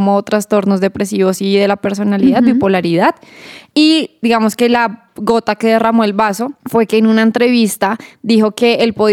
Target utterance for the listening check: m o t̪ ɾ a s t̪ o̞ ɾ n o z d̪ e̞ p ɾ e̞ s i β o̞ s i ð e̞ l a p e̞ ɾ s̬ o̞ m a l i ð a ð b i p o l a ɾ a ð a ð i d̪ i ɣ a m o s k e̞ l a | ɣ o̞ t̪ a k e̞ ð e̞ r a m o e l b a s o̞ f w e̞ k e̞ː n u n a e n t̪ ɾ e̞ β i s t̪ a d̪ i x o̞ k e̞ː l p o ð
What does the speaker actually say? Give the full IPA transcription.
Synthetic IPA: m o t̪ ɾ a s t̪ o̞ ɾ n o z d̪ e̞ p ɾ e̞ s i β o̞ s i ð e̞ l a p e̞ ɾ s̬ o̞ n a l i ð a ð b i p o l a ɾ i ð a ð i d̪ i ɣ a m o s k e̞ l a | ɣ o̞ t̪ a k e̞ ð e̞ r a m o e l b a s o̞ f w e̞ k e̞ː n u n a e n t̪ ɾ e̞ β i s t̪ a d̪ i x o̞ k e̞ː l p o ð